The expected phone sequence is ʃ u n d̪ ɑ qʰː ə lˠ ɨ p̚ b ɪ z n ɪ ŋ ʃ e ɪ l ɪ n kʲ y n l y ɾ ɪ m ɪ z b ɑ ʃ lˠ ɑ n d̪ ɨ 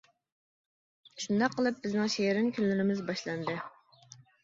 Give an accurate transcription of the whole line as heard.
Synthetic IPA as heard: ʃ u n d̪ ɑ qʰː ə lˠ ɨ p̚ b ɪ z n ɪ ŋ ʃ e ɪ ɾ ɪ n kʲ y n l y ɾ ɪ m ɪ z b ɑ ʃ lˠ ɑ n d̪ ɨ

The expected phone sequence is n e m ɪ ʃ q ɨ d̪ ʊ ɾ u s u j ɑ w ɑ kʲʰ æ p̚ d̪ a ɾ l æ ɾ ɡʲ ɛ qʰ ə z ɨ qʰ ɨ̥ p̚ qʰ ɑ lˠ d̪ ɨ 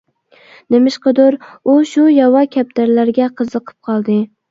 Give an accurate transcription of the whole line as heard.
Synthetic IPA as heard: n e m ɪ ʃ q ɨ d̪ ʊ ɾ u ʃ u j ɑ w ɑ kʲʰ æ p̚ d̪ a ɾ l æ ɾ ɡʲ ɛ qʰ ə z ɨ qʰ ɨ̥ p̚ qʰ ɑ lˠ d̪ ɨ

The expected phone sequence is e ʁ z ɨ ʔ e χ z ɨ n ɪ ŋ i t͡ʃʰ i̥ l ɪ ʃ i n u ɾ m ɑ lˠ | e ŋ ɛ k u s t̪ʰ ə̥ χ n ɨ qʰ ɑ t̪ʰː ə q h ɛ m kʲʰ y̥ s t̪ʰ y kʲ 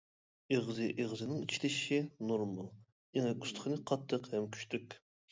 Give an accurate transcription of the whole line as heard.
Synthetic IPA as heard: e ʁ z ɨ ʔ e ʁ z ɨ n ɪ ŋ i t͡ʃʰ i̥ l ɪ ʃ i n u ɾ m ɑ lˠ | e ŋ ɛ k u s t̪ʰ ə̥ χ n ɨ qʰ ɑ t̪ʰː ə q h ɛ m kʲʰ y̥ ʃ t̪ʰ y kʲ

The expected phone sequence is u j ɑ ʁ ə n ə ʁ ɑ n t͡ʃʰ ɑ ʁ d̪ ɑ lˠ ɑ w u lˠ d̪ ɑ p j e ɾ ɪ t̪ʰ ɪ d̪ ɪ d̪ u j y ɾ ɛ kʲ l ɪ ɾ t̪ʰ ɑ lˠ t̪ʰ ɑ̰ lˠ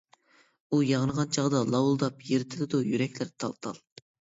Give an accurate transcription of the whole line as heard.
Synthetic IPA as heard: u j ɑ ʁ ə n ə ʁ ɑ n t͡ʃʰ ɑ ʁ d̪ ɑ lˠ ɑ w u lˠ d̪ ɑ p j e ɾ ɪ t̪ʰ ɪ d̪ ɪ d̪ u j y ɾ ɛ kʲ l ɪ ɾ t̪ʰ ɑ lˠ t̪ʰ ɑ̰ lˠ

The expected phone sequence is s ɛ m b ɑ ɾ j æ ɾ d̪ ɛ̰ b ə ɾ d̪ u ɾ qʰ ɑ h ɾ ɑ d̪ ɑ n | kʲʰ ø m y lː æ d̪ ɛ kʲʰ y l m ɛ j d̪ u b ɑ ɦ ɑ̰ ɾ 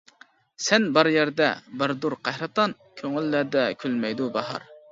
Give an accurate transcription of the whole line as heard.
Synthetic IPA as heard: s ɛ n b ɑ ɾ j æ ɾ d̪ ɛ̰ b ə ɾ d̪ u ɾ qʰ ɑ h ɾ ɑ t̪ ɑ n | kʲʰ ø ŋ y lː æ d̪ ɛ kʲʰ y l m ɛ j d̪ u b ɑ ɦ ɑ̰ ɾ

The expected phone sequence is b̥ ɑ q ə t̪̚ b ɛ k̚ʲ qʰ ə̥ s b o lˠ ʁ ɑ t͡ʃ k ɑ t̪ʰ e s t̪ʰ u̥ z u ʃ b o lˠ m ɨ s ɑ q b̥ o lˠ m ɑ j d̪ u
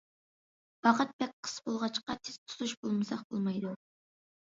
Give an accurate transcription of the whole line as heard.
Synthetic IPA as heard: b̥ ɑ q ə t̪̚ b ɛ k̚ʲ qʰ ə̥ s b o lˠ ʁ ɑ t͡ʃ q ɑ t̪ʰ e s t̪ʰ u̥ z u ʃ b o lˠ m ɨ s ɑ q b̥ o lˠ m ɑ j d̪ u

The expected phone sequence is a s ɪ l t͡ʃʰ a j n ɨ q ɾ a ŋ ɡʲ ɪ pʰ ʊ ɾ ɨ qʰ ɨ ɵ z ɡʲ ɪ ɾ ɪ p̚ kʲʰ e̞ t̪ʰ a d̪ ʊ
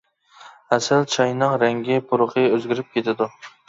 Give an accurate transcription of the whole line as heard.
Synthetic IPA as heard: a s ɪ l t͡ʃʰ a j n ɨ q ɾ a ŋ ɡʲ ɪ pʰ ʊ ɾ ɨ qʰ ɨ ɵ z ɡʲ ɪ ɾ ɪ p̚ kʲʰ e̞ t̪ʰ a d̪ ʊ

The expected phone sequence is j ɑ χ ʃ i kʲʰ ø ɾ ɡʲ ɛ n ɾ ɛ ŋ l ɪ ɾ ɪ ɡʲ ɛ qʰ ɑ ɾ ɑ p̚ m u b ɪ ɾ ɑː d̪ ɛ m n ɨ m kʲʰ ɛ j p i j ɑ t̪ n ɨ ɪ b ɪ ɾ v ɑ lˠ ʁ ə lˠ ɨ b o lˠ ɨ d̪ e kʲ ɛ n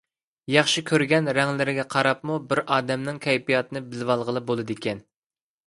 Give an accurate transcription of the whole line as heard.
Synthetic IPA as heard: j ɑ χ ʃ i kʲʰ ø ɾ ɡʲ ɛ n ɾ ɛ ŋ l ɪ ɾ ɪ ɡʲ ɛ qʰ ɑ ɾ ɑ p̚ m u b ɪ ɾ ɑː d̪ ɛ m n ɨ ŋ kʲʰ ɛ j p i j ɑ t̪ n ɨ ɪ b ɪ l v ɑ lˠ ʁ ə lˠ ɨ b o lˠ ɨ d̪ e kʲ ɛ n

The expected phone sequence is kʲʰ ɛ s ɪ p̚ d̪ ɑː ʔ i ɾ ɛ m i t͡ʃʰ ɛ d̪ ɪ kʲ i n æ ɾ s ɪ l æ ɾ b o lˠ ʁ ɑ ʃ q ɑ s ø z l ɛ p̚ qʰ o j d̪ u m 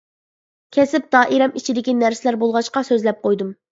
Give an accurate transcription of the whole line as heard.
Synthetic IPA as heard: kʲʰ ɛ s ɪ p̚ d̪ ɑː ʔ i ɾ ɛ m i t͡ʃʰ i d̪ ɪ kʲ i n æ ɾ s ɪ l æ ɾ b o lˠ ʁ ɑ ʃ q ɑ s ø z l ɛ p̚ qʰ o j d̪ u m

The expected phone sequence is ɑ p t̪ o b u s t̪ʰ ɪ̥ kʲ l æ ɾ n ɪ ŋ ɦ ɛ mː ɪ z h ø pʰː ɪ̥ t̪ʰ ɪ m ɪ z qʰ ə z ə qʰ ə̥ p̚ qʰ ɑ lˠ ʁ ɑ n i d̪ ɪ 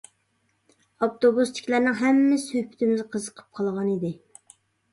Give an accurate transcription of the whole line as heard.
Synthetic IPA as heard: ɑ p t̪ o b u s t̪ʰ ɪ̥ kʲ l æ ɾ n ɪ ŋ ɦ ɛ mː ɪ s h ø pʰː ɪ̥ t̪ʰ ɪ m ɪ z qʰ ə z ə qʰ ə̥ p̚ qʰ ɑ lˠ ʁ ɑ n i d̪ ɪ

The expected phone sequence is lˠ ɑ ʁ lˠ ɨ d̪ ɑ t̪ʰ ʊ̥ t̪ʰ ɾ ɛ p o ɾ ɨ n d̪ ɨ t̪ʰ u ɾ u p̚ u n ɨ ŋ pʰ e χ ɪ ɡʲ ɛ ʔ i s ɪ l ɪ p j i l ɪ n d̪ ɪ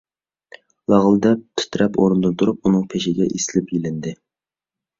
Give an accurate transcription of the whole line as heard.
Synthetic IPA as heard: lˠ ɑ ʁ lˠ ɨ d̪ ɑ t̪ʰ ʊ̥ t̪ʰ ɾ ɛ p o ɾ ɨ n d̪ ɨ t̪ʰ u ɾ u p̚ u n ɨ ŋ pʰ e ʃ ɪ ɡʲ ɛ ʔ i s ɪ l ɪ p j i l ɪ n d̪ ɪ

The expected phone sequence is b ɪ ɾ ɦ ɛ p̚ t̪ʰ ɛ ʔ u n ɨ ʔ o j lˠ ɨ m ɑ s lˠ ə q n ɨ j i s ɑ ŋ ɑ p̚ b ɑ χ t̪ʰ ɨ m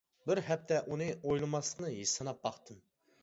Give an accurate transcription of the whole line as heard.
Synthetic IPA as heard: b ɪ ɾ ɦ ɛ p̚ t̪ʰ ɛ ʔ u n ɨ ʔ o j lˠ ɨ m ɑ s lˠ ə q n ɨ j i s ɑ n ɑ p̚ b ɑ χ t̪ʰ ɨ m

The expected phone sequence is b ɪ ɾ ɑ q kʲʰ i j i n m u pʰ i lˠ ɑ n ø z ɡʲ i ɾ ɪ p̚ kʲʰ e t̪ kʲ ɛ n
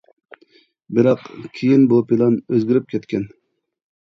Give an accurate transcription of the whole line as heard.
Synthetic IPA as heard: b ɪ ɾ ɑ q kʲʰ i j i n b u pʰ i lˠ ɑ n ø z ɡʲ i ɾ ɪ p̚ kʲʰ ɛ t̪ kʲ ɛ n

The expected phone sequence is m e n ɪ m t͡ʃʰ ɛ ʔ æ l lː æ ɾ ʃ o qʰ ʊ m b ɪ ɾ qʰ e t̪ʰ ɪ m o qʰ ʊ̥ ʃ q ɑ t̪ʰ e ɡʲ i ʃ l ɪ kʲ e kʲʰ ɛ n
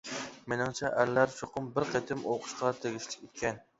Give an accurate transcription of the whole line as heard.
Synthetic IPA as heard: m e n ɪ ŋ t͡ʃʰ ɛ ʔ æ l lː æ ɾ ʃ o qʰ ʊ m b ɪ ɾ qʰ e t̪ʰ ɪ m o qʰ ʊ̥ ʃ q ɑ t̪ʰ e ɡʲ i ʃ l ɪ kʲ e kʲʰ ɛ n

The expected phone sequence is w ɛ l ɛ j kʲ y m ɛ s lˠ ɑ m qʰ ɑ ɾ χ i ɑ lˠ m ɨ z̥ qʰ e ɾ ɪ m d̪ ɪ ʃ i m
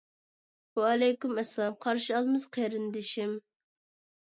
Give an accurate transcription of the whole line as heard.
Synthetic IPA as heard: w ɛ l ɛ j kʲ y m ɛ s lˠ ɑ m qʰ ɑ ɾ ʃ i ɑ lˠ m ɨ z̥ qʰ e ɾ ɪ n d̪ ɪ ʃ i m

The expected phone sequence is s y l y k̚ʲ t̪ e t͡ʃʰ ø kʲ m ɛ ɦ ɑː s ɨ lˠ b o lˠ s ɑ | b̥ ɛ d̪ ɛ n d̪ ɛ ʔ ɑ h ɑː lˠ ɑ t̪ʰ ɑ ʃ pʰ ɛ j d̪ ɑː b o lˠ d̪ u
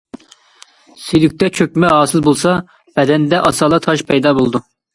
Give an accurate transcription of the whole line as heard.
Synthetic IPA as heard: s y l y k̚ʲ t̪ ɛ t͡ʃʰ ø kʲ m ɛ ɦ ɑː s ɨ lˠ b o lˠ s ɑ | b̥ ɛ d̪ ɛ n d̪ ɛ ʔ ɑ s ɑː lˠ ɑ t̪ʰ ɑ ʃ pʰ ɛ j d̪ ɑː b o lˠ d̪ u

